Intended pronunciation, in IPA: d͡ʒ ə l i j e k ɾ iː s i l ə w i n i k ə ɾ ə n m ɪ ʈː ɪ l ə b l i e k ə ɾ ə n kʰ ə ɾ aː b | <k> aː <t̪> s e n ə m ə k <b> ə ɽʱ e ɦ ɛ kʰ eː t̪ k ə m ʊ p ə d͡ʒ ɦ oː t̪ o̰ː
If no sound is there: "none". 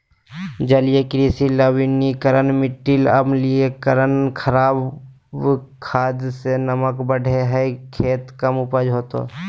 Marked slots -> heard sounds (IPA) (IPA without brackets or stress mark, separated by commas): kʰ, d̪, b